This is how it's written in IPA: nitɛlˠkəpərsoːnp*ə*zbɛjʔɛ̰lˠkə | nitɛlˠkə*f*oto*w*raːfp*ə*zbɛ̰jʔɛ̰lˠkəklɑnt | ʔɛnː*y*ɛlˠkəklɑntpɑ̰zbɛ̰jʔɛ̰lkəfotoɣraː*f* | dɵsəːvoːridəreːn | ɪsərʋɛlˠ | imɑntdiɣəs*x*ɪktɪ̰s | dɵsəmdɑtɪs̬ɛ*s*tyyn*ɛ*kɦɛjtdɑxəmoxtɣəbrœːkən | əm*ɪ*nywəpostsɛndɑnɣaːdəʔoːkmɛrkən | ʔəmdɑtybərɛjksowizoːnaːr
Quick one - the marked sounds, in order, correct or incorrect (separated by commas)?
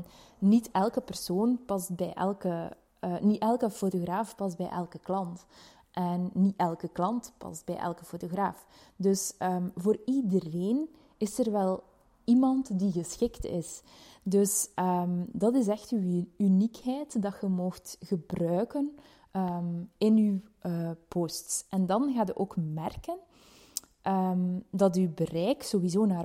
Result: incorrect, correct, incorrect, incorrect, incorrect, correct, correct, incorrect, incorrect, correct